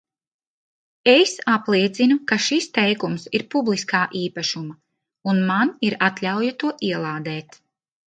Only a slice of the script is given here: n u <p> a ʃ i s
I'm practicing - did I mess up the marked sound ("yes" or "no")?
yes